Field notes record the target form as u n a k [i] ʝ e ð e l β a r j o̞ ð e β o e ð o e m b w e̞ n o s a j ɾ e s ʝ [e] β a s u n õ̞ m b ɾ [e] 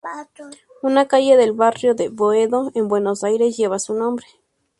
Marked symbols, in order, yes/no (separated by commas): no, yes, yes